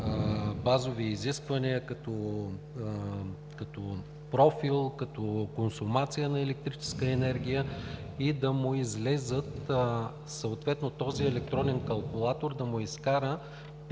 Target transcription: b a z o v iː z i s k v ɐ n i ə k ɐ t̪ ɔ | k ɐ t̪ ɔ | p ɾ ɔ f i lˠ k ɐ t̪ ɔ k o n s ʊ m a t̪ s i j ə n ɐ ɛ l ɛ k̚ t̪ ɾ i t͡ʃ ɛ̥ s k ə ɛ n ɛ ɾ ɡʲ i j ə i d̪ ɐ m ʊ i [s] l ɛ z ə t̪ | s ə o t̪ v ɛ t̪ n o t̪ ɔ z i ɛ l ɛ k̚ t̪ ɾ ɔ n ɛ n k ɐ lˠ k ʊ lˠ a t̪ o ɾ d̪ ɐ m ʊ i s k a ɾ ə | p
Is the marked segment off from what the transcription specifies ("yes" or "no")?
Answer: yes